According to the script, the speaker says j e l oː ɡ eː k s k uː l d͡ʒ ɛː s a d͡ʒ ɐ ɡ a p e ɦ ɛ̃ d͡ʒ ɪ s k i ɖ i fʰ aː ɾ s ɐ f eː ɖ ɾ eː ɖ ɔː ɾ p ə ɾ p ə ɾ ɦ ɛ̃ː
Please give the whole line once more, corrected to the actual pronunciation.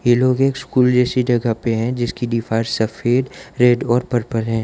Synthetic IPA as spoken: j e l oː ɡ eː k s k uː l d͡ʒ ɛː s i d͡ʒ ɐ ɡ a p e ɦ ɛ̃ d͡ʒ ɪ s k i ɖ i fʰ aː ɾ s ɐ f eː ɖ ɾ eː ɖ ɔː ɾ p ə ɾ p ə ɾ ɦ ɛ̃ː

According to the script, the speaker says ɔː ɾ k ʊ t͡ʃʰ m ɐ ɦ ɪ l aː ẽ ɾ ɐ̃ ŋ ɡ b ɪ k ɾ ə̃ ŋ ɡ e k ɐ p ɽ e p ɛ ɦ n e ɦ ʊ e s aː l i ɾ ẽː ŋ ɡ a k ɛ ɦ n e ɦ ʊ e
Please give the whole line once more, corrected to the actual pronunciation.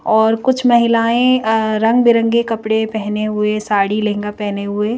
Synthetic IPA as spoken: ɔː ɾ k ʊ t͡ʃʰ m ɐ ɦ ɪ l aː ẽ ɾ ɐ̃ ŋ ɡ b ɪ ɾ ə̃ ŋ ɡ e k ɐ p ɽ e p ɛ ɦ n e ɦ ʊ e s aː ɽ i l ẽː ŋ ɡ a p ɛ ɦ n e ɦ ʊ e

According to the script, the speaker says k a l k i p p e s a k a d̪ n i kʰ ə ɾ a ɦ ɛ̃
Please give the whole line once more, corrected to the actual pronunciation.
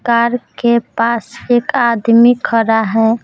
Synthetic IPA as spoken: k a ɾ k e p p a s e k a d̪ m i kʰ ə ɾ a ɦ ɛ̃

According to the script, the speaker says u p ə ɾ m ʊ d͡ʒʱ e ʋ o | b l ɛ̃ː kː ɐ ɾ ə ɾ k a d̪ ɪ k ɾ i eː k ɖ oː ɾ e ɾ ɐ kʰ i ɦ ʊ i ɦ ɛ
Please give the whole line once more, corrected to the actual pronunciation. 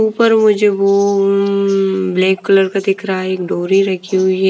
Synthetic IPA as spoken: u p ə ɾ m ʊ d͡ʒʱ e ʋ o | b l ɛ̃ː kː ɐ l ə ɾ k a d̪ ɪ k ɾ a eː k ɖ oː ɾ i ɾ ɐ kʰ i ɦ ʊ i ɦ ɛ

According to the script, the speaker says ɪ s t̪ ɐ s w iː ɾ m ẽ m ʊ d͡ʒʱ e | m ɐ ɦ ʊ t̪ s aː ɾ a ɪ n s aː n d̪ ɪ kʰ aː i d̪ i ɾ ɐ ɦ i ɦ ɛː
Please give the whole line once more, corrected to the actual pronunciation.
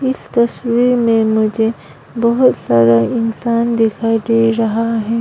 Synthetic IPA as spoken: ɪ s t̪ ɐ s w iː ɾ m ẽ m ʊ d͡ʒʱ e | b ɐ ɦ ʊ t̪ s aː ɾ a ɪ n s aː n d̪ ɪ kʰ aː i d̪ e ɾ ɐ ɦ a ɦ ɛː

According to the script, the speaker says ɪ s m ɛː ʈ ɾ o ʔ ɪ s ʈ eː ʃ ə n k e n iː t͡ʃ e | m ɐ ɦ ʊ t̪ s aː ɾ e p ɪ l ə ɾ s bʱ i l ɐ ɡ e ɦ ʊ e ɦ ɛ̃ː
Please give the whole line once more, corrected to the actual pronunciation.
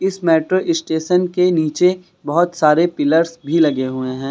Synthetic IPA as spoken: ɪ s m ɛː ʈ ɾ o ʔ ɪ s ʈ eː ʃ ə n k e n iː t͡ʃ e | b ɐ ɦ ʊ t̪ s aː ɾ e p ɪ l ə ɾ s bʱ i l ɐ ɡ e ɦ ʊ e ɦ ɛ̃ː

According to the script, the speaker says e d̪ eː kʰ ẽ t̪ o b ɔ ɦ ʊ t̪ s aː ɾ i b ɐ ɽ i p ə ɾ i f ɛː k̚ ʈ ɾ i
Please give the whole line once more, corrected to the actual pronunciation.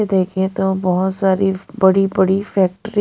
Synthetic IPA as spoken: e d̪ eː kʰ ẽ t̪ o b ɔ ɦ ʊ t̪ s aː ɾ i b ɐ ɽ i b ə ɽ i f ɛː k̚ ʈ ɾ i

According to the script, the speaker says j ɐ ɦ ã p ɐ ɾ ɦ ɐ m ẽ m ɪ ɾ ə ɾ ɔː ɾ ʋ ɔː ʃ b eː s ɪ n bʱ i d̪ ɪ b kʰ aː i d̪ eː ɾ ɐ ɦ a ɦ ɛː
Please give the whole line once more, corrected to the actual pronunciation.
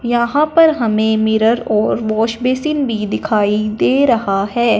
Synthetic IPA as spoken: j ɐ ɦ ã p ɐ ɾ ɦ ɐ m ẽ m ɪ ɾ ə ɾ ɔː ɾ ʋ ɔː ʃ b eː s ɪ n bʱ i d̪ ɪ kʰ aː i d̪ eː ɾ ɐ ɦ a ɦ ɛː

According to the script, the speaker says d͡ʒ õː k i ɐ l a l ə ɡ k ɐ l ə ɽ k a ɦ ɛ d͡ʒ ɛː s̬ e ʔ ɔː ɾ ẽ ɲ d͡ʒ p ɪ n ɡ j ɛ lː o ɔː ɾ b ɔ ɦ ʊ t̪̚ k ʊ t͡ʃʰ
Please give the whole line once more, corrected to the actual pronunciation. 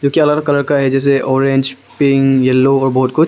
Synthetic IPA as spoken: d͡ʒ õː k i ɐ l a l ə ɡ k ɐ l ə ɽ k a ɦ ɛ d͡ʒ ɛː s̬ e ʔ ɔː ɾ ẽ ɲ d͡ʒ p ɪ ŋ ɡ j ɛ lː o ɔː ɾ b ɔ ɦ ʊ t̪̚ k ʊ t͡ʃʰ

